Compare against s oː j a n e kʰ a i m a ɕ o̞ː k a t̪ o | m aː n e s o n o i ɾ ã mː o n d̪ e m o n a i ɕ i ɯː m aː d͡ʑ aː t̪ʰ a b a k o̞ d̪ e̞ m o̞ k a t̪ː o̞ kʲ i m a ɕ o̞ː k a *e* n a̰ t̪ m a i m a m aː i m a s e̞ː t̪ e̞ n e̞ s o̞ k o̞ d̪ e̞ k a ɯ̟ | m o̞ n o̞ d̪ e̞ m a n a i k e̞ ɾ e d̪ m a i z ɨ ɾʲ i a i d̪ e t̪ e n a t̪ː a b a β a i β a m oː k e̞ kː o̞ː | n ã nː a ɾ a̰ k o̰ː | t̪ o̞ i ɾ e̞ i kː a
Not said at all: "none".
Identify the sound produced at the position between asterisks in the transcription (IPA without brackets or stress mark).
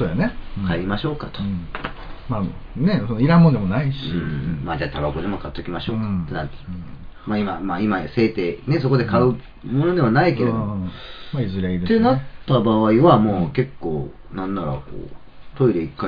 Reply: e